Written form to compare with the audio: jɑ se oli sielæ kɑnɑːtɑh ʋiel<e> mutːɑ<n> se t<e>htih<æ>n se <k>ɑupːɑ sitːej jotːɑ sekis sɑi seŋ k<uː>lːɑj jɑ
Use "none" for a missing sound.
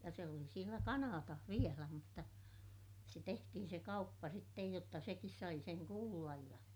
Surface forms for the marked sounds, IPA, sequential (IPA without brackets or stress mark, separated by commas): æ, none, e, i, k, uː